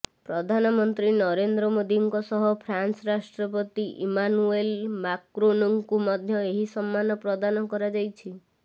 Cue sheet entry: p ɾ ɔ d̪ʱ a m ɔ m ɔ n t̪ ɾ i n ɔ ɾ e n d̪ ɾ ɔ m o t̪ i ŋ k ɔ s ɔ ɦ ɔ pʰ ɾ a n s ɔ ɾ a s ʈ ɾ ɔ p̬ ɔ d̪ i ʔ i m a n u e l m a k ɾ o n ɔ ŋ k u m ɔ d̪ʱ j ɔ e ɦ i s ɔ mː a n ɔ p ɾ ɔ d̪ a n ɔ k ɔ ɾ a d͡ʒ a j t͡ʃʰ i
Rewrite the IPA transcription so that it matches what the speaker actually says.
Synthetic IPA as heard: p ɾ ɔ d̪ʱ a n ɔ m ɔ n t̪ ɾ i n ɔ ɾ e n d̪ ɾ ɔ m o d̪ i ŋ k ɔ s ɔ ɦ ɔ pʰ ɾ a n s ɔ ɾ a s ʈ ɾ ɔ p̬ ɔ t̪ i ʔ i m a n u e l m a k ɾ o n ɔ ŋ k u m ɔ d̪ʱ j ɔ e ɦ i s ɔ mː a n ɔ p ɾ ɔ d̪ a n ɔ k ɔ ɾ a d͡ʒ a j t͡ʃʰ i